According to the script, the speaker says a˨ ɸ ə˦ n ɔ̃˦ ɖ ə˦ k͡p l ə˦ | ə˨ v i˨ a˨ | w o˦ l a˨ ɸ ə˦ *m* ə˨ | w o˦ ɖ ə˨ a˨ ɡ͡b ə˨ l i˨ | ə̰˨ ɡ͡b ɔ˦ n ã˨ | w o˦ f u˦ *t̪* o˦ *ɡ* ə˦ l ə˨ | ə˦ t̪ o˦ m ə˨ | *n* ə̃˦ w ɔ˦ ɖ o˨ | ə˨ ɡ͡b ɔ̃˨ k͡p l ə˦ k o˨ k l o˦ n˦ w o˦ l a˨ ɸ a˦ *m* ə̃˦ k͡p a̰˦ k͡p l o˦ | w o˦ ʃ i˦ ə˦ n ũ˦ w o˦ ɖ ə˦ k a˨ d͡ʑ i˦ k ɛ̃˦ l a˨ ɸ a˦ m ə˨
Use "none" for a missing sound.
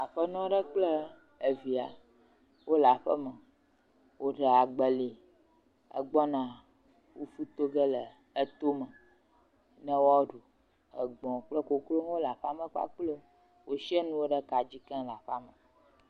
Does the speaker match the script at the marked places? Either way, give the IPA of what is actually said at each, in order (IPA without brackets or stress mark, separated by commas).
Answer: m, t̪, ɡ, n, m